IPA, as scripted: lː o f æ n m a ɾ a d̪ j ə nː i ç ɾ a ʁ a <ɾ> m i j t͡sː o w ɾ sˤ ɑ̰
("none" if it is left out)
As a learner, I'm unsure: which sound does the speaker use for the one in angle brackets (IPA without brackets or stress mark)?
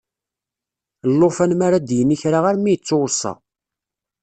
ɾ